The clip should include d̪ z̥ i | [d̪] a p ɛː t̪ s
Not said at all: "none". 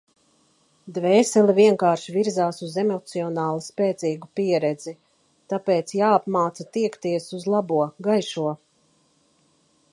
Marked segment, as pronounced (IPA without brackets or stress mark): t̪